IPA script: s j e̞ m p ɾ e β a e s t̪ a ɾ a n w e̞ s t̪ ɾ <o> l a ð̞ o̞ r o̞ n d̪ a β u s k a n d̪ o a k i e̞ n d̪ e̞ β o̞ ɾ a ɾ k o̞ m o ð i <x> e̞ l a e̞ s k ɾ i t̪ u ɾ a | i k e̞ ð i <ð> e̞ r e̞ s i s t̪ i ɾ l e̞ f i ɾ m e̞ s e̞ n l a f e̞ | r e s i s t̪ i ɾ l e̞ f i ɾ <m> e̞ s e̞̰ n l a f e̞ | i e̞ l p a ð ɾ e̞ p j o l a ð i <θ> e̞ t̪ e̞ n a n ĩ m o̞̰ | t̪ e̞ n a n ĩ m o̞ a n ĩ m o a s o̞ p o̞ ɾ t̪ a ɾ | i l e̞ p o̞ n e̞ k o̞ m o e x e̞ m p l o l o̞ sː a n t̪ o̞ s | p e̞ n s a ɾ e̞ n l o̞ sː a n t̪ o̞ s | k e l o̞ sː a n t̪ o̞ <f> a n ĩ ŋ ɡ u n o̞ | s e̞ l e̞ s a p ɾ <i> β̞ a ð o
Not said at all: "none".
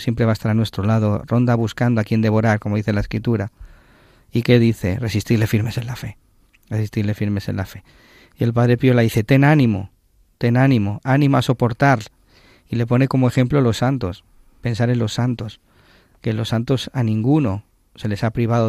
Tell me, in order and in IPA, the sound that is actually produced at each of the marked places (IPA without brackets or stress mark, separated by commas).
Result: o, θ, θ, m, θ, s, i